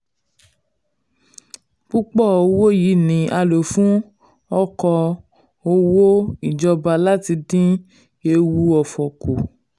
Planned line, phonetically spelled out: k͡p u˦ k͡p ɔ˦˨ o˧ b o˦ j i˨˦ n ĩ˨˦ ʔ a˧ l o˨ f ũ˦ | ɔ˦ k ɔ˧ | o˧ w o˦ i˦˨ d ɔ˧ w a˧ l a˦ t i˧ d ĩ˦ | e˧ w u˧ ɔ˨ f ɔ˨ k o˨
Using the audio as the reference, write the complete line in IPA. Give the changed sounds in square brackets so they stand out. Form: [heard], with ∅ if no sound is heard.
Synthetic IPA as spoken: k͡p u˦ k͡p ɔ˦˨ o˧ [w] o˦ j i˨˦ n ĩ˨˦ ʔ a˧ l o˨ f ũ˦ | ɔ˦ k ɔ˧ | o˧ w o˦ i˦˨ [d͡ʒ] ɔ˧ [b] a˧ l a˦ t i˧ d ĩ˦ | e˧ w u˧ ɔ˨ f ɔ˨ k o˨